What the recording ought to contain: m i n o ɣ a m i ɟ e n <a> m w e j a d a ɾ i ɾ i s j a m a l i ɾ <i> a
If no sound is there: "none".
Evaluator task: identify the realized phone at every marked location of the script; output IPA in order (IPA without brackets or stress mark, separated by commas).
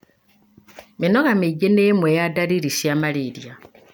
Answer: e, j